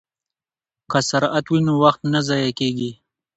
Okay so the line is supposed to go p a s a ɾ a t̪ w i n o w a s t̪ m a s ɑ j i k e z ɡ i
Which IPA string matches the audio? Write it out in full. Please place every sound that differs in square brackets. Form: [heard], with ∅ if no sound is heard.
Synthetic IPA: [k] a s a ɾ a t̪ w i n o w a [x] t̪ [n] a [z] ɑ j [a] k e [∅] ɡ i